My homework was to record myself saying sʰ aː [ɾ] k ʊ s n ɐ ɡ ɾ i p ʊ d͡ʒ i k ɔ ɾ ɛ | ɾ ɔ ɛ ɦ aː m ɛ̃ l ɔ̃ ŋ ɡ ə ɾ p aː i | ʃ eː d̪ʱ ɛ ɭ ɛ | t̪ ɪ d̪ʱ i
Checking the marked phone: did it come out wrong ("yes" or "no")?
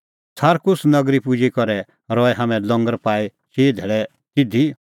no